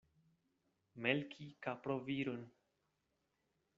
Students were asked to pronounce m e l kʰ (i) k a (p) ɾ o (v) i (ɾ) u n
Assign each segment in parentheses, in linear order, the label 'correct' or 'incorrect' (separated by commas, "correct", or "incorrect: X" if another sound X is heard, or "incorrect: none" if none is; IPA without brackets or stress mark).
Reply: correct, correct, correct, correct